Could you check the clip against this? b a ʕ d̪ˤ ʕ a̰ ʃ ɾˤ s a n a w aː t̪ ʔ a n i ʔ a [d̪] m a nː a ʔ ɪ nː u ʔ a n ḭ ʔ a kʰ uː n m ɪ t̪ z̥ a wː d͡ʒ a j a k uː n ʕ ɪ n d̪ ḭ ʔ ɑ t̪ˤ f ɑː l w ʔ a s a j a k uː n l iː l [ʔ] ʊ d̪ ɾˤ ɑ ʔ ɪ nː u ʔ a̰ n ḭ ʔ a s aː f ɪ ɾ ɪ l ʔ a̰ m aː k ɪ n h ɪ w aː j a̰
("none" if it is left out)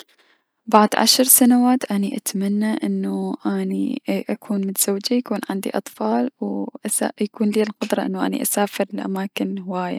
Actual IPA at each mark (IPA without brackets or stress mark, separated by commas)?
t̪, q